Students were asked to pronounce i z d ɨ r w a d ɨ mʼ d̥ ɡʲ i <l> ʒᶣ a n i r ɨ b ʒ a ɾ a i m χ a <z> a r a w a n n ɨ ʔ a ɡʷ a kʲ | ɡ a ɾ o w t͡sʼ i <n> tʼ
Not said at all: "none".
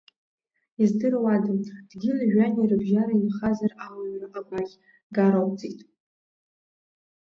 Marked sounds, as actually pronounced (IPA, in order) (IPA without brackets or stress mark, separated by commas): l, z, none